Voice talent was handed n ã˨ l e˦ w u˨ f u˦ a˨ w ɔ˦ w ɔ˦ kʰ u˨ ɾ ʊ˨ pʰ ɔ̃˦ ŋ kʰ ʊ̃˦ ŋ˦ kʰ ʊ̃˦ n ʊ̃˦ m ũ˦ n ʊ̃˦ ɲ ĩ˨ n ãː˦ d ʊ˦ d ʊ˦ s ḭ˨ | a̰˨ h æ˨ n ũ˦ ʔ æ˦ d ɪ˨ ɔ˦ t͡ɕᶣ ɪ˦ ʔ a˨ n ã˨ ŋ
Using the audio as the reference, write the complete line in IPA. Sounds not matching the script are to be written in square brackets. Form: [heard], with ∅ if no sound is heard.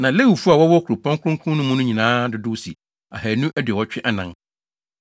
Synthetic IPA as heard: n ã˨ l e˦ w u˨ f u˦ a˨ w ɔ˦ w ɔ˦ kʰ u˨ ɾ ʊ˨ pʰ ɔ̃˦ ŋ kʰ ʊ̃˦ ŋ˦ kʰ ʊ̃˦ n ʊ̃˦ m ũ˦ n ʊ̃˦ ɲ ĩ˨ n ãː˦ d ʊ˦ d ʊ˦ s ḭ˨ | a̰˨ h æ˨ n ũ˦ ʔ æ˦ d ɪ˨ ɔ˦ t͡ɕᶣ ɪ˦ ʔ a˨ n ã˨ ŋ

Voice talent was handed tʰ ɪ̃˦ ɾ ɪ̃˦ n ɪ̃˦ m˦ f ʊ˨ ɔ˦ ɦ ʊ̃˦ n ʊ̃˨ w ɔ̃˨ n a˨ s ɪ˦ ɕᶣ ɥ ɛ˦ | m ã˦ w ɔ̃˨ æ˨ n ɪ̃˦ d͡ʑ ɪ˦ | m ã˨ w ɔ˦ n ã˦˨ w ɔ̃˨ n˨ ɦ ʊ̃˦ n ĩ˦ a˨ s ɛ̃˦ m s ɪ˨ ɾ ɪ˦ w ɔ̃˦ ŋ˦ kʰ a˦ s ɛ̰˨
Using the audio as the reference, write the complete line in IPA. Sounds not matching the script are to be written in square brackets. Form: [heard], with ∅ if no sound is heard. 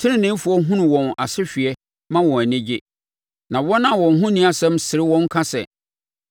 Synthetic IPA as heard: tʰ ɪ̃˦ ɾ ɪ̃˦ n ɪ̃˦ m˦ f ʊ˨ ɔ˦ ɦ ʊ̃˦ n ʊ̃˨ w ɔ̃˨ n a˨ s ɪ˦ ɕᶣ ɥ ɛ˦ | m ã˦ w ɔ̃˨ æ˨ n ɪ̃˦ d͡ʑ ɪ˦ | [n] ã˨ w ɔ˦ n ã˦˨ w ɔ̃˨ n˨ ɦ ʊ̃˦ n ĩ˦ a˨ s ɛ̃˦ m s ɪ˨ ɾ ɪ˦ w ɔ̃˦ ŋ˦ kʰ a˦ s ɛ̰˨

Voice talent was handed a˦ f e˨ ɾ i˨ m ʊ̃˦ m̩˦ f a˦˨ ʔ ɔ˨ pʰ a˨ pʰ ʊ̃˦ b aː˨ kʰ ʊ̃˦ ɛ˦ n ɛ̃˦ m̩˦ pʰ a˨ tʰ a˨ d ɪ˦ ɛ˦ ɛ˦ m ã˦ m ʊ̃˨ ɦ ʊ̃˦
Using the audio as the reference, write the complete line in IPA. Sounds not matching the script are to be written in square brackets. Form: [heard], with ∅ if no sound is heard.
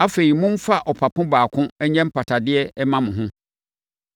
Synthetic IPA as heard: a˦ f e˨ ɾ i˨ m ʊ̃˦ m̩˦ f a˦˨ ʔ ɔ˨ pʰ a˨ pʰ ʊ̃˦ b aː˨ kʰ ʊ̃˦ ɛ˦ [ɲ] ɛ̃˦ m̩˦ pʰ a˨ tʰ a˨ d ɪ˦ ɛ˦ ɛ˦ m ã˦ m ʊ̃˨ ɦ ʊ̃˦

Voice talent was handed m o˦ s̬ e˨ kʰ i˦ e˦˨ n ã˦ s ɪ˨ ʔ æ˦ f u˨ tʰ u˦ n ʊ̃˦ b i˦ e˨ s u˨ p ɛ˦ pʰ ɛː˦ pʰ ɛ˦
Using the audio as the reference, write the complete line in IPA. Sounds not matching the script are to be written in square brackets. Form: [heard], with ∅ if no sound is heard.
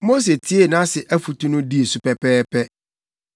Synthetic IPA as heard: m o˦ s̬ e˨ [tʰ] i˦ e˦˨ n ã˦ s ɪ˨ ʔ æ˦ f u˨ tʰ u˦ n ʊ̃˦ [d] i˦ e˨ s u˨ p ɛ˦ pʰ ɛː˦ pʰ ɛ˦

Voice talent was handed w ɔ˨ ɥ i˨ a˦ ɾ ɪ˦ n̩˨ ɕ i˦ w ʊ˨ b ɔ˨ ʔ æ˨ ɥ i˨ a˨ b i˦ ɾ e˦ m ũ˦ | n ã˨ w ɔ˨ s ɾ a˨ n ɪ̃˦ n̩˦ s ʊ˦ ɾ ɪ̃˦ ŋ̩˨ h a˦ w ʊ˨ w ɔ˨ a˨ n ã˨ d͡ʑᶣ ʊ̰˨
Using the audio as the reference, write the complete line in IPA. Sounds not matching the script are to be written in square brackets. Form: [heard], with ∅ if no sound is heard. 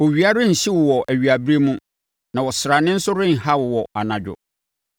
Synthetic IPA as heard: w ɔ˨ ɥ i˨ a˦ ɾ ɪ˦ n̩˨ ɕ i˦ w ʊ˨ [w] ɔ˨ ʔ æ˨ ɥ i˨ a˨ b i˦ ɾ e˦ m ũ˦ | n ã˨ w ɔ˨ s ɾ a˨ n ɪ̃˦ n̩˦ s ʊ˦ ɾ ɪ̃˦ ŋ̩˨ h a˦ w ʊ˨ w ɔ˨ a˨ n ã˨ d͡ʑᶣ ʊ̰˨

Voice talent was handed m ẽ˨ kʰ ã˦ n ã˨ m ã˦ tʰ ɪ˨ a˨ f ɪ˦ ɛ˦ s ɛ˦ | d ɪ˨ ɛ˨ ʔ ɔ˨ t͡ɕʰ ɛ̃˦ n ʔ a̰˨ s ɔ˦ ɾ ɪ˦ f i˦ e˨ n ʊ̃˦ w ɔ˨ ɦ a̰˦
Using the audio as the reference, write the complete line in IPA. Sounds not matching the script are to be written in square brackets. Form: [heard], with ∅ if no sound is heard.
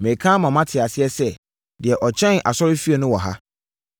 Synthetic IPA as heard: m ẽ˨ kʰ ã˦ [m] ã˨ m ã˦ tʰ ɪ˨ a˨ [s] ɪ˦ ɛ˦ s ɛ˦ | d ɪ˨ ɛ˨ ʔ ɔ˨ t͡ɕʰ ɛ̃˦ n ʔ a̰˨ s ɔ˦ ɾ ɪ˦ f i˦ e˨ n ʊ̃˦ w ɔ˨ ɦ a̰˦

